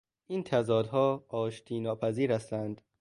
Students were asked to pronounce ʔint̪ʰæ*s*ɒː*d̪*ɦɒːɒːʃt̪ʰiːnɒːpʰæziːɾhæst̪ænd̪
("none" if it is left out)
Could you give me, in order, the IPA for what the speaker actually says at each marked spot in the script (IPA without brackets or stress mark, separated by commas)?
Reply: z, d̪